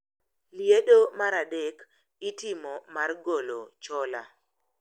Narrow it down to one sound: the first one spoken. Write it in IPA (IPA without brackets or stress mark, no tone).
l